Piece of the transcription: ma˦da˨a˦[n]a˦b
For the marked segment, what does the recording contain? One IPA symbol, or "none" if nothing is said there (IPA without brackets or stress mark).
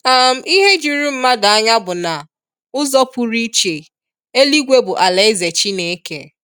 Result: ɲ